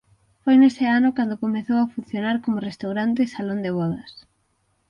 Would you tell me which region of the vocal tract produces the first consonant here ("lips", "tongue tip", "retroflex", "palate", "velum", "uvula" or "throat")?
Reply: lips